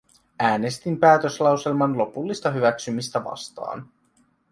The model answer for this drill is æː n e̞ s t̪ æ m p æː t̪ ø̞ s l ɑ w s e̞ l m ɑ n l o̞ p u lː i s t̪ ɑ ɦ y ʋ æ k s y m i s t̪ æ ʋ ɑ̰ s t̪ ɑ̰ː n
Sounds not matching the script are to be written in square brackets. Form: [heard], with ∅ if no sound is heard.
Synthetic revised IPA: æː n e̞ s t̪ [i] m p æː t̪ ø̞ s l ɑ w s e̞ l m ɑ n l o̞ p u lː i s t̪ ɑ ɦ y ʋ æ k s y m i s t̪ æ ʋ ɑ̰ s t̪ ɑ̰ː n